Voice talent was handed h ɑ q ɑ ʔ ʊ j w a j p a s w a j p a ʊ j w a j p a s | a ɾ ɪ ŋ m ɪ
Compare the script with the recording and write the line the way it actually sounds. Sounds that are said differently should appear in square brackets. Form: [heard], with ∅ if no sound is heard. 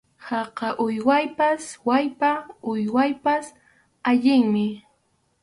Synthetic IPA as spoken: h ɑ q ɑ ʔ ʊ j w a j p a s w a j p a ʊ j w a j p a s | a [ʎ] ɪ ŋ m ɪ